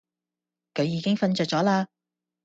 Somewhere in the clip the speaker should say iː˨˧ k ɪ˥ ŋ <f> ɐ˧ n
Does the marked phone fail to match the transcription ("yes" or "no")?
no